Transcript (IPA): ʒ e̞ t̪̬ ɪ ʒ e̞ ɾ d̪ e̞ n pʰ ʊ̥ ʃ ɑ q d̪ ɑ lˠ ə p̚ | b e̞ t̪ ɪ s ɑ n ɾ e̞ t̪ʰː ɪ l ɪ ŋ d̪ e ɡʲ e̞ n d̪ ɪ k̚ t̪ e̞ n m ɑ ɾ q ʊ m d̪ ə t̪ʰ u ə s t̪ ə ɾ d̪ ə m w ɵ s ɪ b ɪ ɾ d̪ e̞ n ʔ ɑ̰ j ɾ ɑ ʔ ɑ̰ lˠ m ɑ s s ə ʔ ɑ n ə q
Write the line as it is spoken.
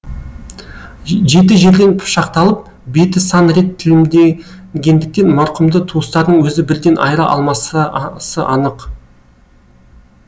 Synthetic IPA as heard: ʒ e̞ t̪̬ ɪ ʒ e̞ ɾ d̪ e̞ n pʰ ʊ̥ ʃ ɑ q t̪ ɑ lˠ ə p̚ | b e̞ t̪ ɪ s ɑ n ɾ e̞ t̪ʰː ɪ l ɪ m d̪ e ɡʲ e̞ n d̪ ɪ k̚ t̪ e̞ n m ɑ ɾ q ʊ m d̪ ə t̪ʰ u ə s t̪ ɑ ɾ d̪ ə ɴ w ɵ z ɪ b ɪ ɾ d̪ e̞ n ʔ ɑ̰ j ɾ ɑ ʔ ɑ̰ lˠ m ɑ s s ə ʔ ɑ n ə q